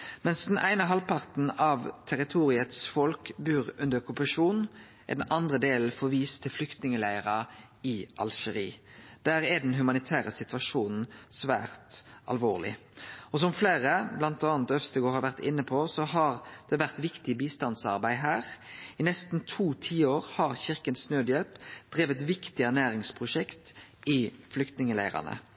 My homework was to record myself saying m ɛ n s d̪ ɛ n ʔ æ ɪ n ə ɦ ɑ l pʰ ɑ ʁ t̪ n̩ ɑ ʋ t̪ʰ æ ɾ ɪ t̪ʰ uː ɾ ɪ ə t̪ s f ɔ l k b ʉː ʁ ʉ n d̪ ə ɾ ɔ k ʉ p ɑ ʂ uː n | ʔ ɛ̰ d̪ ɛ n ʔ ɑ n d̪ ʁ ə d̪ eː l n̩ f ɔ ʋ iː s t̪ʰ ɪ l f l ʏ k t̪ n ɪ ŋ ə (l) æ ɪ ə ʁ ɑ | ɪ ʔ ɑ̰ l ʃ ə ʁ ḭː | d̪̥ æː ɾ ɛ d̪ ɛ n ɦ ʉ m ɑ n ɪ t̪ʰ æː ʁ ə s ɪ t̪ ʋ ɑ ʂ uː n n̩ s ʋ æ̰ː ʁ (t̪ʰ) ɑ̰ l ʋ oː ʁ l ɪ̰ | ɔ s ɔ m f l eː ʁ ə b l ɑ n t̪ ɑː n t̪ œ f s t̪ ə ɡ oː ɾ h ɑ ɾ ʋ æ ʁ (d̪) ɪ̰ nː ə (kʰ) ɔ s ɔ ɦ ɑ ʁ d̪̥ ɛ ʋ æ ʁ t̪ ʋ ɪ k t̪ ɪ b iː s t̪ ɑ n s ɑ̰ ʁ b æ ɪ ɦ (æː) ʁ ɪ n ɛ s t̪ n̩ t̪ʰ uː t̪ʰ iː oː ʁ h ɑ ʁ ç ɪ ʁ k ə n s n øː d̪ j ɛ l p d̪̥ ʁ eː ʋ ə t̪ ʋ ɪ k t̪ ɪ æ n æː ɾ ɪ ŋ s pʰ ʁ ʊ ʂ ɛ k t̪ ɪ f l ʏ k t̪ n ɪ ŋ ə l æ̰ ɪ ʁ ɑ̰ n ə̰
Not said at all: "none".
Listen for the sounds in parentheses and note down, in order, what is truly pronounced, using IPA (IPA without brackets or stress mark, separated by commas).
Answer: l, t̪, t̪, pʰ, æː